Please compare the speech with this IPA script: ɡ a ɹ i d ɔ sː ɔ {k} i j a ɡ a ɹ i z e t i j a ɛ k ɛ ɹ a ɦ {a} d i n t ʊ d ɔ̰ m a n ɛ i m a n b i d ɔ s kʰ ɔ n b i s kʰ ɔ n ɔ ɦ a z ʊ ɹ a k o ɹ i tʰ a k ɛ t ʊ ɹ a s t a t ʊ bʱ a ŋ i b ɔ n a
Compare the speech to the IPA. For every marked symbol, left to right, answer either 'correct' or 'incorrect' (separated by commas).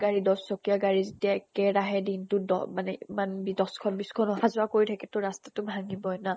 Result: correct, incorrect